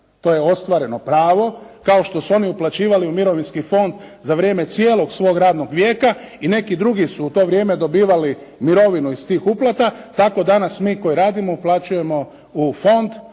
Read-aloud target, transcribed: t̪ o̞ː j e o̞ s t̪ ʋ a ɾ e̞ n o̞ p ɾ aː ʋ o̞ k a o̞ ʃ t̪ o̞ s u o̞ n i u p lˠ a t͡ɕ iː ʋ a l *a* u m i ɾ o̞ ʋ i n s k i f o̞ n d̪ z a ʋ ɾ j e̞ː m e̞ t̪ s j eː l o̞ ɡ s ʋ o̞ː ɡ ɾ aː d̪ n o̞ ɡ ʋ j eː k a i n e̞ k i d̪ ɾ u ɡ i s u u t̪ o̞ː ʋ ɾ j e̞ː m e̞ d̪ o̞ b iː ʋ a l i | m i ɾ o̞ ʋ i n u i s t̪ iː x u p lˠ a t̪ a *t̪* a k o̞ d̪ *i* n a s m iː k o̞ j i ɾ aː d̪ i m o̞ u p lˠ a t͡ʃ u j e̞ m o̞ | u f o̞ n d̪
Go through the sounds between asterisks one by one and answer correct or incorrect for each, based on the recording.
incorrect, correct, incorrect

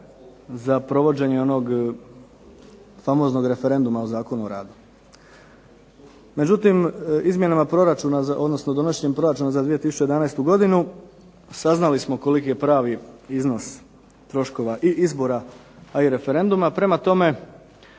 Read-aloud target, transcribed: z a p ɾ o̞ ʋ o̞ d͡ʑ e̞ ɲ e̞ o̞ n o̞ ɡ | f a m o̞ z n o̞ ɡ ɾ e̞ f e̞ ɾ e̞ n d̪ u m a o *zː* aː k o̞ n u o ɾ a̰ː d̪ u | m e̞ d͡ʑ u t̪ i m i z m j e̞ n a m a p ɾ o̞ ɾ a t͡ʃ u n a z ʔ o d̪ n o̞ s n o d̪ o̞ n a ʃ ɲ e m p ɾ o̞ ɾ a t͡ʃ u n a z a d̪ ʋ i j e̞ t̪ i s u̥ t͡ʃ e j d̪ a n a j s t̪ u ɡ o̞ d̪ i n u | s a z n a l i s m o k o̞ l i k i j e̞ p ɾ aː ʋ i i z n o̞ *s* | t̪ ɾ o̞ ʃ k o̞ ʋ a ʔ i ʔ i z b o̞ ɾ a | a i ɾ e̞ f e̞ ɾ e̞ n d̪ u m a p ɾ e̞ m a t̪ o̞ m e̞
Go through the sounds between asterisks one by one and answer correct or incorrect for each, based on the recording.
incorrect, correct

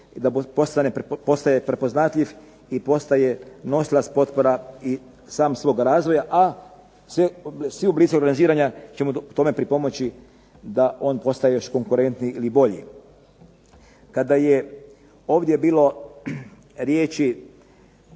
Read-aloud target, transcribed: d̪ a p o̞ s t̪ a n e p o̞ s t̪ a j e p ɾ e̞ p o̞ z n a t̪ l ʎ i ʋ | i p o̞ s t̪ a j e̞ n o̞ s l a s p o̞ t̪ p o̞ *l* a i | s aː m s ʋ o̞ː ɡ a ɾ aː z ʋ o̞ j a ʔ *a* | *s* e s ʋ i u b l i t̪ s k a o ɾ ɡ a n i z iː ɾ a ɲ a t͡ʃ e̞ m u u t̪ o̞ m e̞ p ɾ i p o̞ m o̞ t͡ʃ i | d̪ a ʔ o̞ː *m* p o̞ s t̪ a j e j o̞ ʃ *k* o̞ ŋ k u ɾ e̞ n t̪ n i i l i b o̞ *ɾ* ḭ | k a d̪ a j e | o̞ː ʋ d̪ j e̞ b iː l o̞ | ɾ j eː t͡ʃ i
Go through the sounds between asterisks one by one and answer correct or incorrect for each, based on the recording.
incorrect, correct, correct, incorrect, correct, incorrect

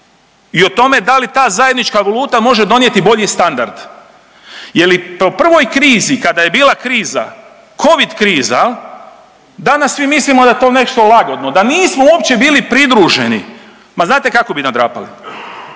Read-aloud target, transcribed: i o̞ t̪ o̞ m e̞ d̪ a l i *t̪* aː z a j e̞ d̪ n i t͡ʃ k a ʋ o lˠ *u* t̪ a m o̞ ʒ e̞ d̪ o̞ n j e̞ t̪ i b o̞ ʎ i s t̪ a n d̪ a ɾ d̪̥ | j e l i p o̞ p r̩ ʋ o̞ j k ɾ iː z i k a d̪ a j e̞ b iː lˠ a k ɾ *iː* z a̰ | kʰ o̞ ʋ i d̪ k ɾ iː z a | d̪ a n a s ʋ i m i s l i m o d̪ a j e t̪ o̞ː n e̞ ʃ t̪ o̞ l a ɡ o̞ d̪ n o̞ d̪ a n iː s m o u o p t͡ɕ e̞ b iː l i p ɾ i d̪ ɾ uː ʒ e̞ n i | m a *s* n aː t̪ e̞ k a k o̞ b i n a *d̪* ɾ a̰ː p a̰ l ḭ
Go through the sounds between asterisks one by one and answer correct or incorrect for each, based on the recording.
correct, incorrect, correct, incorrect, correct

